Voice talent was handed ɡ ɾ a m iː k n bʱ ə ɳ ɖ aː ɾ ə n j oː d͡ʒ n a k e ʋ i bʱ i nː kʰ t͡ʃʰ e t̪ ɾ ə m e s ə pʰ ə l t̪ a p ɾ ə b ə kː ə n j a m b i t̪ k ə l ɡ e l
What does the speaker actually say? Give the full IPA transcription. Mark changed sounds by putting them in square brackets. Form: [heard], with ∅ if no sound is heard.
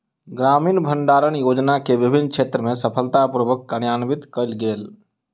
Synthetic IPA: ɡ ɾ a m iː [∅] n bʱ ə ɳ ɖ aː ɾ ə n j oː d͡ʒ n a k e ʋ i bʱ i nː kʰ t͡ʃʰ e t̪ ɾ ə m e s ə pʰ ə l t̪ a p ɾ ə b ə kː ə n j a [n] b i t̪ k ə l ɡ e l